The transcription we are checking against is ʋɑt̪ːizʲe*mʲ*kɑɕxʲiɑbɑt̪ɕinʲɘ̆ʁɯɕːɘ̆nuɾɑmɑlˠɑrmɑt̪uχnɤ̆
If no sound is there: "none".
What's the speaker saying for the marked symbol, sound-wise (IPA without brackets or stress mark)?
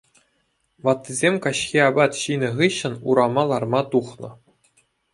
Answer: mʲ